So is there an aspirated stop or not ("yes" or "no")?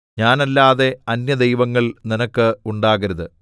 no